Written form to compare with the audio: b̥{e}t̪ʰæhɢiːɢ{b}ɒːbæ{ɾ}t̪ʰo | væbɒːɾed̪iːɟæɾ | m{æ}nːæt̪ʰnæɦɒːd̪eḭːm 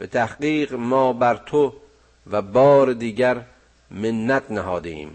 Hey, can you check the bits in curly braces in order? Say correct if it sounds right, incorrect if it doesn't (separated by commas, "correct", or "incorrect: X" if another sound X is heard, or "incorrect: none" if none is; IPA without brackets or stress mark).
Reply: correct, incorrect: m, correct, incorrect: e